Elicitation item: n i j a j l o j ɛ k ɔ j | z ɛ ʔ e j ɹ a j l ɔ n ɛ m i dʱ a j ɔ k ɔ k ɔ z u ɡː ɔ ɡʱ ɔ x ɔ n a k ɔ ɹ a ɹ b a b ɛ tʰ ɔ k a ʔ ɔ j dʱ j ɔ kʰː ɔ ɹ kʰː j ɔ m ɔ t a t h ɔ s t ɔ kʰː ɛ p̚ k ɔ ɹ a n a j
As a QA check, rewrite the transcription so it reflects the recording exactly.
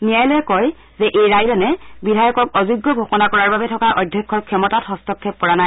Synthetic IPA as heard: n i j a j l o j ɛ k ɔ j | z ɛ ʔ e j ɹ a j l ɔ n ɛ b i dʱ a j ɔ k ɔ k ɔ z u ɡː ɔ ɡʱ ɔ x ɔ n a k ɔ ɹ a ɹ b a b ɛ tʰ ɔ k a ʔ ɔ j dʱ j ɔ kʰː ɔ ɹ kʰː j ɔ m ɔ t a t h ɔ s t ɔ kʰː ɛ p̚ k ɔ ɹ a n a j